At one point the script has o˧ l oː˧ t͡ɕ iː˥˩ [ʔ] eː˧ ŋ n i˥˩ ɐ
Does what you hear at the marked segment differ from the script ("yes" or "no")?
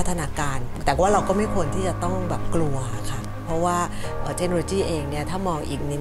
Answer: no